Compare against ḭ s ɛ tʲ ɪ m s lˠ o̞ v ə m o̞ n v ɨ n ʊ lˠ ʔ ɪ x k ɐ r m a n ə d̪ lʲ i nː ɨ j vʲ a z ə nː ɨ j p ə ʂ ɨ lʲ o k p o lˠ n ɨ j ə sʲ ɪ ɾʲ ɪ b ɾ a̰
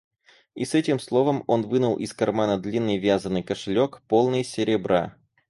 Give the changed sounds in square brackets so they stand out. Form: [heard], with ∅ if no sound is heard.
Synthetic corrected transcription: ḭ s ɛ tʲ ɪ m s lˠ o̞ v ə m o̞ n v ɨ n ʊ lˠ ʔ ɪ [s] k ɐ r m a n ə d̪ lʲ i nː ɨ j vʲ a z ə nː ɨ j [k] ə ʂ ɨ lʲ o k p o lˠ n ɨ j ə sʲ ɪ ɾʲ ɪ b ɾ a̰